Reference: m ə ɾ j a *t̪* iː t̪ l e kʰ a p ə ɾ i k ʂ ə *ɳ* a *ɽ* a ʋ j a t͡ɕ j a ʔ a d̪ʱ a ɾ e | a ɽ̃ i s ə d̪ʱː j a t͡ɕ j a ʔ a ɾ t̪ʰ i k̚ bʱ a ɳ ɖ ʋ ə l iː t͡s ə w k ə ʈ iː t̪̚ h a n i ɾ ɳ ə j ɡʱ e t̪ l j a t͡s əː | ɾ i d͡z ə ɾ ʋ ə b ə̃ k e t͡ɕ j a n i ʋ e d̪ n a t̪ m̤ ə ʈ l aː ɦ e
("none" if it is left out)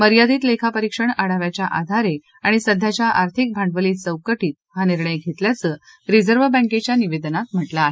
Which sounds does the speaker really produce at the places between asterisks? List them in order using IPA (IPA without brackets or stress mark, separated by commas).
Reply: d̪, ɳ, ɽ